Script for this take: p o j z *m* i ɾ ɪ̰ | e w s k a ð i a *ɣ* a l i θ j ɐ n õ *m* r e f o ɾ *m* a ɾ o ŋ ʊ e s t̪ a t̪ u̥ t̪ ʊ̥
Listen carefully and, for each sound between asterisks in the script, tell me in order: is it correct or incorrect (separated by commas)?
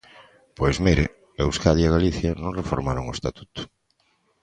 correct, correct, incorrect, correct